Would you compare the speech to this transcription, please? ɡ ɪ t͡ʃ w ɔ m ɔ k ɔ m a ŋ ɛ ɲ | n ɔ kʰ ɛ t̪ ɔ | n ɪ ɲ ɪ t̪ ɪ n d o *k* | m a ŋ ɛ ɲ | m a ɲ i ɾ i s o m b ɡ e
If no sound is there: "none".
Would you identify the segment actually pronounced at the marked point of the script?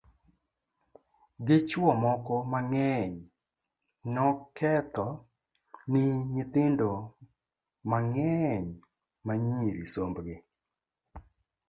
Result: none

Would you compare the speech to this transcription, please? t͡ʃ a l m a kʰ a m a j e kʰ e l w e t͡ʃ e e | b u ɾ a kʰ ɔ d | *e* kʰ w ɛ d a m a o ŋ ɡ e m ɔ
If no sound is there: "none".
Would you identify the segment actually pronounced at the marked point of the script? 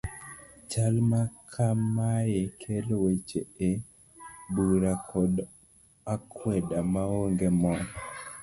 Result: a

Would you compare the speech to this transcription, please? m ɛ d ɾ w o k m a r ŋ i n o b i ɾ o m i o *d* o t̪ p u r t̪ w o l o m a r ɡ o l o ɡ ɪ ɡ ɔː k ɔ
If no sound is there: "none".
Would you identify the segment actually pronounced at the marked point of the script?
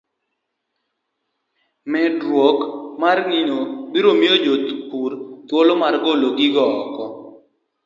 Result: d͡ʒ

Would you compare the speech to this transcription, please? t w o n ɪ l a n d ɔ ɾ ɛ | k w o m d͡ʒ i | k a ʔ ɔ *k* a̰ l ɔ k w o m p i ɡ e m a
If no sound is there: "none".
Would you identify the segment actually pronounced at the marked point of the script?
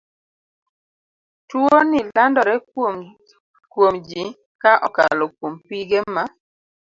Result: k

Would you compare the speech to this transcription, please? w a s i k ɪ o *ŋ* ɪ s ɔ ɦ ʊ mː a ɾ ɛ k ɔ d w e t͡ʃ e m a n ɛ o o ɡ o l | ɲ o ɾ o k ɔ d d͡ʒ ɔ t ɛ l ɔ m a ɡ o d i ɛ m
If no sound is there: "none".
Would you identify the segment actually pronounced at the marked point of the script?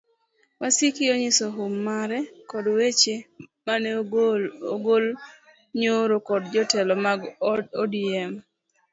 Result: ɲ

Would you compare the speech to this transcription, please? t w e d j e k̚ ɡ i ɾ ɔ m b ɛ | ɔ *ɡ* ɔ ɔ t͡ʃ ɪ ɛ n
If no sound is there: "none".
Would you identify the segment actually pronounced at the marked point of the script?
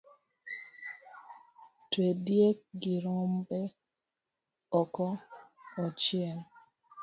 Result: k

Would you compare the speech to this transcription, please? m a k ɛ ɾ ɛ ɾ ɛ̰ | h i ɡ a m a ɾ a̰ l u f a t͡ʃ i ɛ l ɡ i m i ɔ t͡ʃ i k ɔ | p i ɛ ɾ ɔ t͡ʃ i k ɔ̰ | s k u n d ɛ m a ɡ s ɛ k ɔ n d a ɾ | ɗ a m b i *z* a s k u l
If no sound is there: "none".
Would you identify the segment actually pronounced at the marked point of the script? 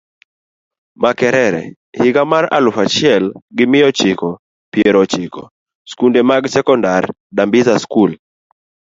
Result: z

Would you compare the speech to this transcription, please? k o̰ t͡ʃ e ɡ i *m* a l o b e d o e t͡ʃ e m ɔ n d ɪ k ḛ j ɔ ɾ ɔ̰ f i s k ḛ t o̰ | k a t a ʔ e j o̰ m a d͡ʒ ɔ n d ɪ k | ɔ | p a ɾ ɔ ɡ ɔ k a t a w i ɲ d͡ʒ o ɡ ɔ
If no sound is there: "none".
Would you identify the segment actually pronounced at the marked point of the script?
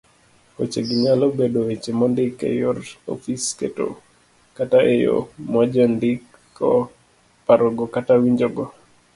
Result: ɲ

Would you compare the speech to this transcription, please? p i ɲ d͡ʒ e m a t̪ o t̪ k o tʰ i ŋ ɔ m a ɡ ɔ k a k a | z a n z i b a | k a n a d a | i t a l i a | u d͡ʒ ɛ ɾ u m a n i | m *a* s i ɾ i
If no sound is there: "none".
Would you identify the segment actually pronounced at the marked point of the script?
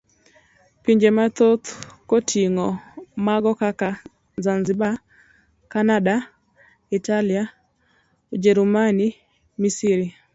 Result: i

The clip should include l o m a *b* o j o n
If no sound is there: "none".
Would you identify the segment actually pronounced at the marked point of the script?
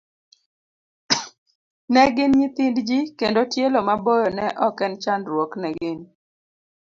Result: b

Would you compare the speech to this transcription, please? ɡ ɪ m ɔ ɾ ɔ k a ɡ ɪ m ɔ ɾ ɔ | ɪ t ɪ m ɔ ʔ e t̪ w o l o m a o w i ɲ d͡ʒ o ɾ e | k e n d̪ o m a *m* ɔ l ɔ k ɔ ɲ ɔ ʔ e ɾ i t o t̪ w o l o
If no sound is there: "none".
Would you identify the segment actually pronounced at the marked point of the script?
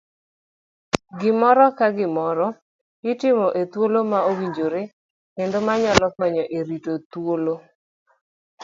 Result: ɲ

